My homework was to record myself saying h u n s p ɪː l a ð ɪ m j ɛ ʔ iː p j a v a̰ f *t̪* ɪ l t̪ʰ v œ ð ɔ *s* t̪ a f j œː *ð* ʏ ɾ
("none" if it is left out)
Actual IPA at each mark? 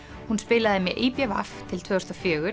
t̪ʰ, s, ɣ

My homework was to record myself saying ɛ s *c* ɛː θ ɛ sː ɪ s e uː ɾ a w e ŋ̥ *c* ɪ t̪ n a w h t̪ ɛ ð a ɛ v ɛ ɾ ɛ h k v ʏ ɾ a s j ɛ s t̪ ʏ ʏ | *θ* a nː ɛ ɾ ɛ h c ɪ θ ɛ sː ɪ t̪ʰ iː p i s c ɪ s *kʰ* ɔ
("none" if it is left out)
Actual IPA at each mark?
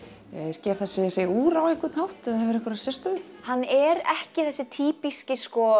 c, k, h, k

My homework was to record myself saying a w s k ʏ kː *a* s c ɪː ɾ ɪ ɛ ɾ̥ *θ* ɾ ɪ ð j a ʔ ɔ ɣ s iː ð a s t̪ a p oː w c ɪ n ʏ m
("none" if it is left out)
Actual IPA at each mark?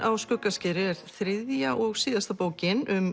a, θ

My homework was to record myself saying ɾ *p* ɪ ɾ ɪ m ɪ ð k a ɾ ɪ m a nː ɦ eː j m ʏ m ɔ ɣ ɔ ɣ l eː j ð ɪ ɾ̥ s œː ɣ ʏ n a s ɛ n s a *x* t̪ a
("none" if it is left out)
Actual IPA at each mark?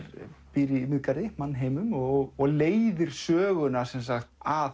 p, x

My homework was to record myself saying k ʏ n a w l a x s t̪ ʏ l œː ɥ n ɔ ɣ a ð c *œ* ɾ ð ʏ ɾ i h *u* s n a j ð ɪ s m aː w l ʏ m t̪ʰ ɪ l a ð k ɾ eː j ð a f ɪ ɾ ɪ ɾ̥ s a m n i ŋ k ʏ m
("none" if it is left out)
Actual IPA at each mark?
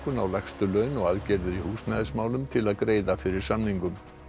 ɛ, uː

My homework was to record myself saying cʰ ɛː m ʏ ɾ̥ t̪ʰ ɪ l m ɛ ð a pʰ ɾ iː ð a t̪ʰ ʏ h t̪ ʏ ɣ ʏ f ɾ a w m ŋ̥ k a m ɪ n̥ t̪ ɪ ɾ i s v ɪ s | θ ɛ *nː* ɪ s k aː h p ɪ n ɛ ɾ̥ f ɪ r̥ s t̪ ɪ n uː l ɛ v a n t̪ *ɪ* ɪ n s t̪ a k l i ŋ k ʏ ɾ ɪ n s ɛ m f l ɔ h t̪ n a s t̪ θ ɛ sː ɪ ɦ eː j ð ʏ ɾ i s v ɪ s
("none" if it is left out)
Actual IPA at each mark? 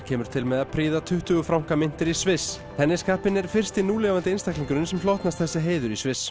nː, ɪ

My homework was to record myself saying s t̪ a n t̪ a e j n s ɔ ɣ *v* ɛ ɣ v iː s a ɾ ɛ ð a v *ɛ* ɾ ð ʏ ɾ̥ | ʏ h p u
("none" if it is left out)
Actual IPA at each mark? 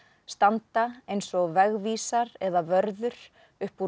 v, œ

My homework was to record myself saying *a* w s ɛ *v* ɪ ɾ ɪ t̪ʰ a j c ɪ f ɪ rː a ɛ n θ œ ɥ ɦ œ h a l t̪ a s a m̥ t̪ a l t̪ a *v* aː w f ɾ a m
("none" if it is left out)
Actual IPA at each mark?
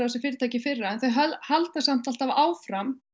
a, f, v

